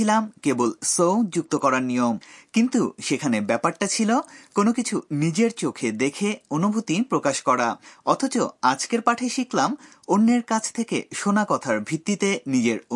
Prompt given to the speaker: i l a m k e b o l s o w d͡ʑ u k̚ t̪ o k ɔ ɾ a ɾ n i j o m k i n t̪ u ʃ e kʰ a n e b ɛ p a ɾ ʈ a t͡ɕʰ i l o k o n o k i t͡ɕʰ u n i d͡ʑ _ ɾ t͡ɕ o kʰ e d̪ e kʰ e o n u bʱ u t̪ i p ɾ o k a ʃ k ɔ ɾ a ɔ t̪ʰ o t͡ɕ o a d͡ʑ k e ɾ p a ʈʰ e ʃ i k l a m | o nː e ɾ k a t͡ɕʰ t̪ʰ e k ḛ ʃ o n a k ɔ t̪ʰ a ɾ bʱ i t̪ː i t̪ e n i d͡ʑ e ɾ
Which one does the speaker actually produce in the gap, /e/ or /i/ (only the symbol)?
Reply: e